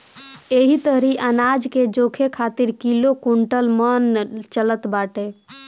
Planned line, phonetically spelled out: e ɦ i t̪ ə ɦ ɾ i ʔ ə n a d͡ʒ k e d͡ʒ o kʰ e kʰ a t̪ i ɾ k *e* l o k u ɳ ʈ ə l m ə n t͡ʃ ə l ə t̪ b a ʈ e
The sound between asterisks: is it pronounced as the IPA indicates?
no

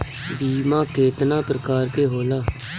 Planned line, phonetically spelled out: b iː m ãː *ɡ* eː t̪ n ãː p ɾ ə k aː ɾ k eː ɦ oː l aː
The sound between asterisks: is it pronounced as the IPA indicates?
no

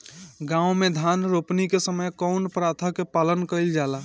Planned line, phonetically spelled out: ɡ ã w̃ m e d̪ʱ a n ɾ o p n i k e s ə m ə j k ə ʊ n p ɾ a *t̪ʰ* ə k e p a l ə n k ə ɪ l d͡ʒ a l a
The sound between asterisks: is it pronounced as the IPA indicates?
yes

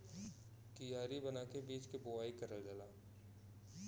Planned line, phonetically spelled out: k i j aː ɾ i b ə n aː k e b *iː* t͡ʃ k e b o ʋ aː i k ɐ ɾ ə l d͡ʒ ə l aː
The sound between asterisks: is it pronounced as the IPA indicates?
yes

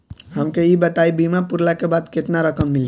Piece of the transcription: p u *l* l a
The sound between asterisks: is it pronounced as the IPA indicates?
no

